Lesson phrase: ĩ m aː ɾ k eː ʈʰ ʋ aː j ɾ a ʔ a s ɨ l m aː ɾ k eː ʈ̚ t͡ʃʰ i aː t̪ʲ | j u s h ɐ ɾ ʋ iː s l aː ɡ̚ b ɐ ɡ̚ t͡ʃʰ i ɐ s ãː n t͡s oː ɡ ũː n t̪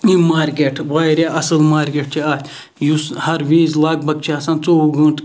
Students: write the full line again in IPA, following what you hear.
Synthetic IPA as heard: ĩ m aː ɾ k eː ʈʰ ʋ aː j ɾ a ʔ ɐ s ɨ l m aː ɾ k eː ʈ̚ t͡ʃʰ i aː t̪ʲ | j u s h ɐ ɾ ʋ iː z l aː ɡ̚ b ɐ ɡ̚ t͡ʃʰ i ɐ s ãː n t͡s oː ɡ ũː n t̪